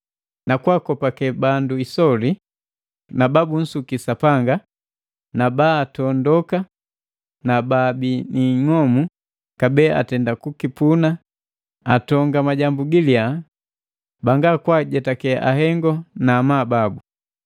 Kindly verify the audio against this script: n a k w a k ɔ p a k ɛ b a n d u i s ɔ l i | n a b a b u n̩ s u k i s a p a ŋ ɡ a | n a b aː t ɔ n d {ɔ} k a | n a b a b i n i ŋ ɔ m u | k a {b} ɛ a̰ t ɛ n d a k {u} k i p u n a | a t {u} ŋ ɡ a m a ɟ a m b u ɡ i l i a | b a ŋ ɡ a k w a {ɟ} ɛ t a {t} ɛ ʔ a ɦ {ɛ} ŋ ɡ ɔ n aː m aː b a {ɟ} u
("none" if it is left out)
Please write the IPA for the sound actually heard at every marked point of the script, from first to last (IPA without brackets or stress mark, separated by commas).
ɔ, b, u, ɔ, ɟ, k, ɛ, b